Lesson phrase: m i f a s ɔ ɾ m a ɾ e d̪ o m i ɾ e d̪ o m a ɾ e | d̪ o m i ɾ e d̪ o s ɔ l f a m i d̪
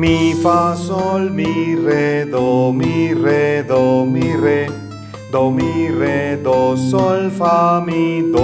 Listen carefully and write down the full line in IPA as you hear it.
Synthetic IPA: m i f a s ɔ l m i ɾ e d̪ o m i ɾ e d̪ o m i ɾ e | d̪ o m i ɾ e d̪ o s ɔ l f a m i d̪